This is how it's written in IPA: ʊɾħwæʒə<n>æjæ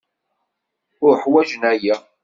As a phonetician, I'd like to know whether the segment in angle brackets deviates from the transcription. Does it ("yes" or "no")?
no